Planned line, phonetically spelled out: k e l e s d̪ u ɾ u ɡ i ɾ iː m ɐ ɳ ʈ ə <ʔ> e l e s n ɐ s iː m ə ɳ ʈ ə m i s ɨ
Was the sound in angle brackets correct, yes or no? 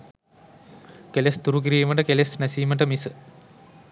no